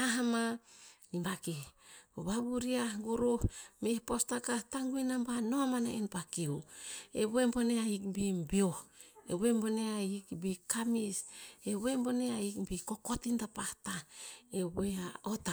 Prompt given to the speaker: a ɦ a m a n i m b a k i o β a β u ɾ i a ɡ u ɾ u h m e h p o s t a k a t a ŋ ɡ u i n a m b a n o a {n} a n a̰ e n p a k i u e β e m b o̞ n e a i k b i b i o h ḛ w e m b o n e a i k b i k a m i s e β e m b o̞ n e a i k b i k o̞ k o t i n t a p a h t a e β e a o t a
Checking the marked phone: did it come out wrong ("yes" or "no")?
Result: yes